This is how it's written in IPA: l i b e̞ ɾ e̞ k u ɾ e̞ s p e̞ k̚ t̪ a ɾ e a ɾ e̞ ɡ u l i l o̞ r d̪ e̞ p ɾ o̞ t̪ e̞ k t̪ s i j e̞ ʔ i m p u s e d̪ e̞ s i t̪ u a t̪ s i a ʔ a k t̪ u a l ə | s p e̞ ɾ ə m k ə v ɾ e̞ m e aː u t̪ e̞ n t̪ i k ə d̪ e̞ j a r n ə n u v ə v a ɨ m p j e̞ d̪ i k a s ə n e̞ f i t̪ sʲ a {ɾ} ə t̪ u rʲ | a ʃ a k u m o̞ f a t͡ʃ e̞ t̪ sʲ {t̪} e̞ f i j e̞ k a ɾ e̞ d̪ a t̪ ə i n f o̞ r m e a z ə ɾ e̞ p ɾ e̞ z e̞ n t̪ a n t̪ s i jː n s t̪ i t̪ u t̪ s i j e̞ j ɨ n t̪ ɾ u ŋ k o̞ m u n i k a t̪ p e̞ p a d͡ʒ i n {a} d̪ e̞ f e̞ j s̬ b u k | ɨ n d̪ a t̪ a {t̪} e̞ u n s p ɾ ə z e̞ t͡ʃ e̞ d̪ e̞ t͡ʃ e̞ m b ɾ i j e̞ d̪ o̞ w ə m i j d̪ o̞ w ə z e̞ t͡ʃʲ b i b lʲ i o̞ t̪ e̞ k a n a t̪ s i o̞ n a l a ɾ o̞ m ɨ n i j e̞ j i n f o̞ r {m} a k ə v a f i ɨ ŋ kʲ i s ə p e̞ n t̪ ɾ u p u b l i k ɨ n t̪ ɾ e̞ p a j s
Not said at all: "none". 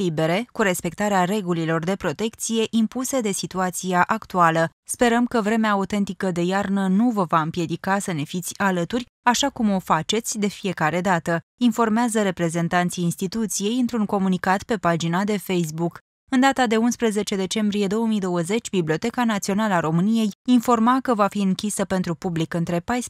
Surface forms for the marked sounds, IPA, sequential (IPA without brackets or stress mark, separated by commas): l, d̪, a, d̪, m